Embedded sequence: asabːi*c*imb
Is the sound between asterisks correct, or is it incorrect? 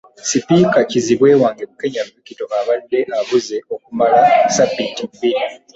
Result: incorrect: t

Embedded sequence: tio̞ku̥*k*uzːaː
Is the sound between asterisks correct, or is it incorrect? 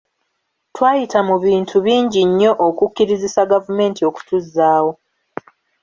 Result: incorrect: t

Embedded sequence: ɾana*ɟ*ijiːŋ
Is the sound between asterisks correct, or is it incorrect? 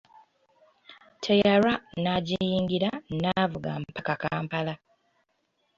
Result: correct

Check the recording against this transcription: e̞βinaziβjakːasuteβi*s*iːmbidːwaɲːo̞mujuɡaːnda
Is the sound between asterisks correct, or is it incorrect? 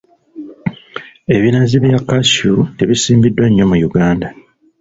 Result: correct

